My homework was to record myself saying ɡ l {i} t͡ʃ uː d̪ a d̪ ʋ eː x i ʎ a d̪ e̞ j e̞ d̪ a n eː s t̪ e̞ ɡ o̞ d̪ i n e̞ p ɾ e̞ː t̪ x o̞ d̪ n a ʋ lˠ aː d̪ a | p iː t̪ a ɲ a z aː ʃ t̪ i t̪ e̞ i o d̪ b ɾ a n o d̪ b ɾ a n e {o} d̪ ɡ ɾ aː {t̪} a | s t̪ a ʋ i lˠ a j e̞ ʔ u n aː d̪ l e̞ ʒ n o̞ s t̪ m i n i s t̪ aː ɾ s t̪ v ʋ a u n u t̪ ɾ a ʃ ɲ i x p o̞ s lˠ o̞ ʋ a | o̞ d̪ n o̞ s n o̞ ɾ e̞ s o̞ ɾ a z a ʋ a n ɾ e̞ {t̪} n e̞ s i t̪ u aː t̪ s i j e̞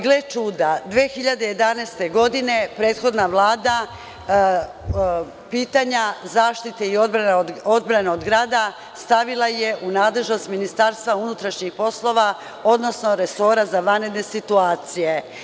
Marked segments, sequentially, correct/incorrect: incorrect, correct, incorrect, incorrect

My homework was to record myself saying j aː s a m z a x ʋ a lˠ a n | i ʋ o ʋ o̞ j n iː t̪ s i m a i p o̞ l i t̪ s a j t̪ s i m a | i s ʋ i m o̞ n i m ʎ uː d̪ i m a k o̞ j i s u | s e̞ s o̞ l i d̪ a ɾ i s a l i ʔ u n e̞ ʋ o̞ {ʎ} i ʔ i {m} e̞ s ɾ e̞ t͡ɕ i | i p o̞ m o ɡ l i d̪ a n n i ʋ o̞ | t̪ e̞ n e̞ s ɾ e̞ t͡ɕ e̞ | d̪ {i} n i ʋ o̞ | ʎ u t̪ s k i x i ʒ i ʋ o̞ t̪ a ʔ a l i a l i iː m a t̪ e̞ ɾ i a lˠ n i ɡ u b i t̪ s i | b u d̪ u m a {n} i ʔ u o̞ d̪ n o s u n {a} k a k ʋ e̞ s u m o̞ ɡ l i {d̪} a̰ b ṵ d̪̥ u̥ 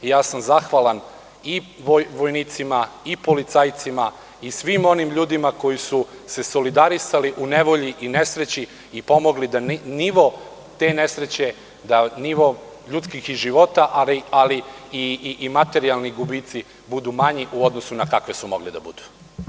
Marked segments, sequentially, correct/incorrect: correct, incorrect, incorrect, incorrect, correct, correct

